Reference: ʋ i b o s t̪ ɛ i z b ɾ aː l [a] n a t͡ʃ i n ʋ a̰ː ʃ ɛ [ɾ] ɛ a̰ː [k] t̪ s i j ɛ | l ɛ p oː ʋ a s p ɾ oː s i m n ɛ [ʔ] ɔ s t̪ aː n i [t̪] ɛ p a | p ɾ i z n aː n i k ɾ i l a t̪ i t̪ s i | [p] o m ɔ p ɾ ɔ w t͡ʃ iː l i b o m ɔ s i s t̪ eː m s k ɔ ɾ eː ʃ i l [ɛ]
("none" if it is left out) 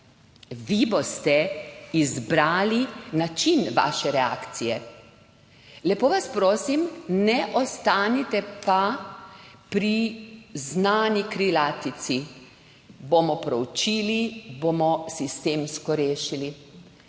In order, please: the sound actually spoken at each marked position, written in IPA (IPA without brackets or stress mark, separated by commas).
i, ɾ, k, ʔ, t̪, b, i